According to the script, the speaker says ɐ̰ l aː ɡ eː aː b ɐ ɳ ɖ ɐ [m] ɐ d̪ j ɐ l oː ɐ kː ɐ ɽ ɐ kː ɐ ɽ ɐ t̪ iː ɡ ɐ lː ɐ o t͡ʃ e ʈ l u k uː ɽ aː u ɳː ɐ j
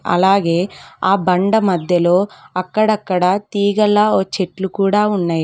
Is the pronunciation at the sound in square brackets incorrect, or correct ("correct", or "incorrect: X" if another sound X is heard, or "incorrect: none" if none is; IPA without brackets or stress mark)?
correct